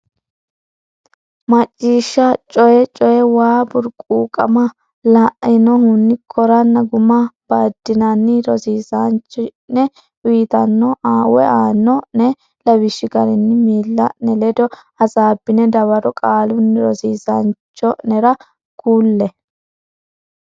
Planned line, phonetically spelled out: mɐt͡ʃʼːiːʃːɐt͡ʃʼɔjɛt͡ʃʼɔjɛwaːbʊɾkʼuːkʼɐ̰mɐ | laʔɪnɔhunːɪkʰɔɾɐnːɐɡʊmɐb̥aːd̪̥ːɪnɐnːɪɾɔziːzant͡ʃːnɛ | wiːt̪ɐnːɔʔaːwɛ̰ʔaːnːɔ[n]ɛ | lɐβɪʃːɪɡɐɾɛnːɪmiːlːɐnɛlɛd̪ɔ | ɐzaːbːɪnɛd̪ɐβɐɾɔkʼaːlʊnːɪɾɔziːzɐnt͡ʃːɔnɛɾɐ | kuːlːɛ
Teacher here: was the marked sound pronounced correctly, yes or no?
yes